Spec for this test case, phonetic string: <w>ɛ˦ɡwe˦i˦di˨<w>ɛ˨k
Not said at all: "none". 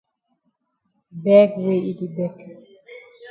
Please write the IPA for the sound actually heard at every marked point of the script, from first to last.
b, b

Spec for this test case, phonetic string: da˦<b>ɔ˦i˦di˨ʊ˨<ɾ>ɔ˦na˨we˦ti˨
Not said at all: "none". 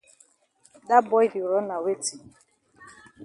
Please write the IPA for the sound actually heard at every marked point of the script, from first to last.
b, ɾ

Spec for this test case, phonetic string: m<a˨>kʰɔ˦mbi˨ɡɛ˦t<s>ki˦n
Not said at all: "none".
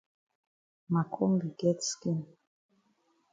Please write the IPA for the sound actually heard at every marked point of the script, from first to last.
a˨, s

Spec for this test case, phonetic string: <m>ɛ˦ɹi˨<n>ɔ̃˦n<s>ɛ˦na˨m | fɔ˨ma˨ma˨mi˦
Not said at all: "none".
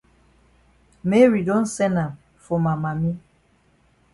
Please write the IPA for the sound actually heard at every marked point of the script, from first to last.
m, d, s

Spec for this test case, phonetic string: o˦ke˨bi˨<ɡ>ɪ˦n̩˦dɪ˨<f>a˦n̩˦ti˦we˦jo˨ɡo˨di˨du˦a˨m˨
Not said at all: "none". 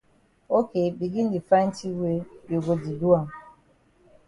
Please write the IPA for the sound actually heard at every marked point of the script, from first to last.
ɡ, f

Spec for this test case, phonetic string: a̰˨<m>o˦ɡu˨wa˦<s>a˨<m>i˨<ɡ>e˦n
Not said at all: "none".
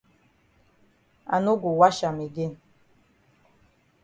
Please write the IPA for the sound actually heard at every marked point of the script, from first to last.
n, ʃ, m, ɡ

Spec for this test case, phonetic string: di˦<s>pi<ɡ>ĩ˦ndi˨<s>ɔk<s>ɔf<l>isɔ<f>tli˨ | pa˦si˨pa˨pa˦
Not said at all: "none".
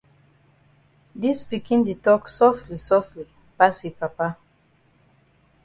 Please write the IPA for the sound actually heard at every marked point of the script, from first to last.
s, k, t, s, l, f

